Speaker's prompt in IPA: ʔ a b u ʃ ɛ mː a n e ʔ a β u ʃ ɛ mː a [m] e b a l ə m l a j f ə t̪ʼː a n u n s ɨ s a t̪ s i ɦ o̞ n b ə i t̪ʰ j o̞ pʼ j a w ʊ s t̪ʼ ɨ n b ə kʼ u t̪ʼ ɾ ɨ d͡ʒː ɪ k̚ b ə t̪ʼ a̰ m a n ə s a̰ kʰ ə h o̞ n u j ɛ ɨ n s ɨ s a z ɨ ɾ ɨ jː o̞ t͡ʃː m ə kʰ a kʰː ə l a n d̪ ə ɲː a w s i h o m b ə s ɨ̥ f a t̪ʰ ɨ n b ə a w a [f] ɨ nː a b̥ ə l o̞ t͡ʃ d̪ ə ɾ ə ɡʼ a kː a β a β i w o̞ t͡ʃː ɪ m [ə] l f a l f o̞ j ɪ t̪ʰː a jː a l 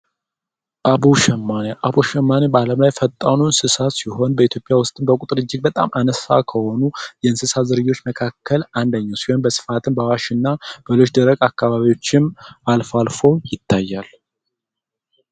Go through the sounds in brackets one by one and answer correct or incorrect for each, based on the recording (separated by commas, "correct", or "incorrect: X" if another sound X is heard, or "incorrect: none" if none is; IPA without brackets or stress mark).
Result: incorrect: n, incorrect: ʃ, incorrect: a